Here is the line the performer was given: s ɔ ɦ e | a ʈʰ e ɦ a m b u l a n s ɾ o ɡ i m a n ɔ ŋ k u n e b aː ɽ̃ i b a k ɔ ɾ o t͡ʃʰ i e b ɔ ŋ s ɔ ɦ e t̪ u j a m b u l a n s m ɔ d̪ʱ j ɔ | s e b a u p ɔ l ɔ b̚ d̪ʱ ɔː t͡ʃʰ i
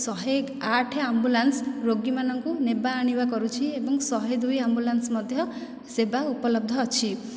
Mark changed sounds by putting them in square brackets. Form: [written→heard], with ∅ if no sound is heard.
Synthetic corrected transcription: s ɔ ɦ e | a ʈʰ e [ɦ→∅] a m b u l a n s ɾ o ɡ i m a n ɔ ŋ k u n e b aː ɽ̃ i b a k ɔ ɾ [o→u] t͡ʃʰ i e b ɔ ŋ s ɔ ɦ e [t̪→d̪] u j a m b u l a n s m ɔ d̪ʱ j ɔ | s e b a u p ɔ l ɔ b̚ d̪ʱ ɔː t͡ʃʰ i